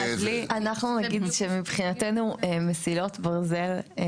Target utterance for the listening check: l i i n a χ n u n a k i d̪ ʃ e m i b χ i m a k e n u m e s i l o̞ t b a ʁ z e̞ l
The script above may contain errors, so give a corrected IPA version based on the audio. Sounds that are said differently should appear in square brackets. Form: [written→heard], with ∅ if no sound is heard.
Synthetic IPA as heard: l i [i→a] n a χ n u n a [k→ɡ] i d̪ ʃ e m i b χ i [m→n] a [k→t] e n u m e s i l o̞ t b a ʁ z e̞ l